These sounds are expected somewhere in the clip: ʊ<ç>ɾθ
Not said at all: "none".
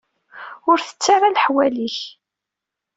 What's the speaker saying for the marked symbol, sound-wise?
none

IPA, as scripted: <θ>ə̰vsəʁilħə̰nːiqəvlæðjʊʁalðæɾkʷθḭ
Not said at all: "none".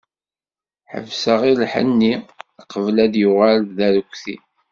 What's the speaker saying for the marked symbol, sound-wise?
ħ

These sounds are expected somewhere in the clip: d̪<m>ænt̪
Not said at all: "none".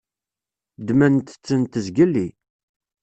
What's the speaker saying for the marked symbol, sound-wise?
m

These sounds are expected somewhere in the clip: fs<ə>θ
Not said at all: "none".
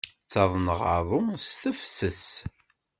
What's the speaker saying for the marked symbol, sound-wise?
ə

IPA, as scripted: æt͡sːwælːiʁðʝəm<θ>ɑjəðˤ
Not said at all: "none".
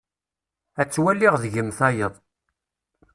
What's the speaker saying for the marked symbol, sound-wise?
θ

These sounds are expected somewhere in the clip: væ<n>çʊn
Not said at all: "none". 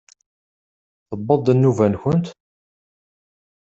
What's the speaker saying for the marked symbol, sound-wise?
n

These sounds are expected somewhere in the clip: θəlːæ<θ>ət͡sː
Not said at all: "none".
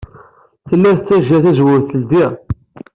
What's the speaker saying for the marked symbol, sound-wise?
θ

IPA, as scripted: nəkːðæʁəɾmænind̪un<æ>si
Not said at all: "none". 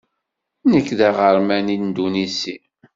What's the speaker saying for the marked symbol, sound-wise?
i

